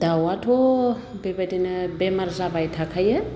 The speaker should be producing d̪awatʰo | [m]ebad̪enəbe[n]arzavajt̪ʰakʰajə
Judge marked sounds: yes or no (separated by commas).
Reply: no, no